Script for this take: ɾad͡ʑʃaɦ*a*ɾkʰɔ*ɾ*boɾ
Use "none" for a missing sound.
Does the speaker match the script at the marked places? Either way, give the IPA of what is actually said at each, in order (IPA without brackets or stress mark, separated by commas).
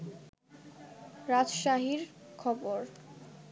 i, none